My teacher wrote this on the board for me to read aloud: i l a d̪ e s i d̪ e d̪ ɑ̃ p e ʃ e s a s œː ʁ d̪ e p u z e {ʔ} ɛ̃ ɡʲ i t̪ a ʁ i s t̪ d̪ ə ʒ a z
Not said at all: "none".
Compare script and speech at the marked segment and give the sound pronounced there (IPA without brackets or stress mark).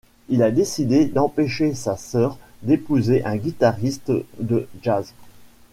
ʔ